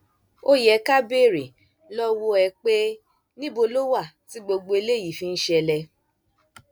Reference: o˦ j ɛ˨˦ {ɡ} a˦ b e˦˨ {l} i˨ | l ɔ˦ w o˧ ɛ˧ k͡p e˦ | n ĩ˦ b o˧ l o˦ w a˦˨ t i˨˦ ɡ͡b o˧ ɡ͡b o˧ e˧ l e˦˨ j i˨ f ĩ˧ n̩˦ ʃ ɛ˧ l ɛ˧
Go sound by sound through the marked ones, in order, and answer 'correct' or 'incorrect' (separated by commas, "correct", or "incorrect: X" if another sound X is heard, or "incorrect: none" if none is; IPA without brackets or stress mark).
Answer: incorrect: k, incorrect: ɾ